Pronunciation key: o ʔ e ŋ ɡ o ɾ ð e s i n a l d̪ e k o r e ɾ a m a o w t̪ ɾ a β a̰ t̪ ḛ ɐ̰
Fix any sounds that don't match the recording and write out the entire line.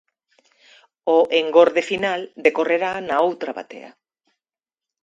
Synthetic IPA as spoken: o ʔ e ŋ ɡ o ɾ ð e f i n a l d̪ e k o r e ɾ a n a o w t̪ ɾ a β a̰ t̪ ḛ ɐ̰